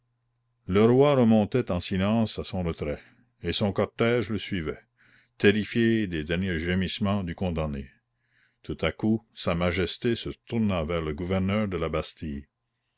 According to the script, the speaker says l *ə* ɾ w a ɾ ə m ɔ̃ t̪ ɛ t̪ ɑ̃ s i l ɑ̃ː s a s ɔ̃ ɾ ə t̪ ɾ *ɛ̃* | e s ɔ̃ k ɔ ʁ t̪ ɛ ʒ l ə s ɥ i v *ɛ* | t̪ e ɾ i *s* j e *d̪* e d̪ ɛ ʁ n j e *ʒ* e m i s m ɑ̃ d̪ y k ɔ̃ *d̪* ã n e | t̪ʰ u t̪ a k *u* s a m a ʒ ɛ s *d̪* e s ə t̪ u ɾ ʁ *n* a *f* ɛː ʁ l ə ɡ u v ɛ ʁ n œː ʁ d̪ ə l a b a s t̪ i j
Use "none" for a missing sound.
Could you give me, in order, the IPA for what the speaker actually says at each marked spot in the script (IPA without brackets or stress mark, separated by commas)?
ə, ɛ, ɛ, f, d̪, ʒ, d̪, u, t̪, n, v